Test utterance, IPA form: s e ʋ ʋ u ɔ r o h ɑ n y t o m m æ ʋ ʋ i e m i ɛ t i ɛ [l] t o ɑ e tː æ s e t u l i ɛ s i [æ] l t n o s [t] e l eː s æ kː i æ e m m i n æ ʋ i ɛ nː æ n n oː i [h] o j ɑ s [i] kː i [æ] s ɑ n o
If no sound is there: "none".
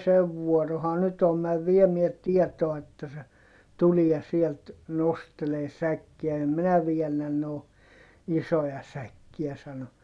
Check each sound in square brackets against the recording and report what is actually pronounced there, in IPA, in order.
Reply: none, e, t, s, æ, æ

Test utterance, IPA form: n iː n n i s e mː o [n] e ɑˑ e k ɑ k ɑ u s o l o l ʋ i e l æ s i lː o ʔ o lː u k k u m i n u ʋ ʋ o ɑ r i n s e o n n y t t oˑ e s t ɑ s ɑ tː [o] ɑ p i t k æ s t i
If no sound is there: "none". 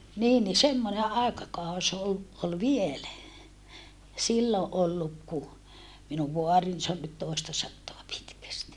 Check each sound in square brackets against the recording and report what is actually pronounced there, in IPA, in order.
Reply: n, o

